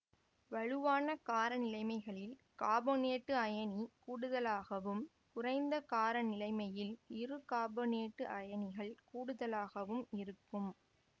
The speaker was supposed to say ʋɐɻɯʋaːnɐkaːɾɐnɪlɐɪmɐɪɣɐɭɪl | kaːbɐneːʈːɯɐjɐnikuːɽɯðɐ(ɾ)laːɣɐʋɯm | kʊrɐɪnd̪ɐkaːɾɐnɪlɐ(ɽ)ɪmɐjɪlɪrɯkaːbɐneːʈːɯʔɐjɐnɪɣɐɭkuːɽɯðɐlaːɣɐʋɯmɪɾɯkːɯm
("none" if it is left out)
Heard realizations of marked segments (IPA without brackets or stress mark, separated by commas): none, none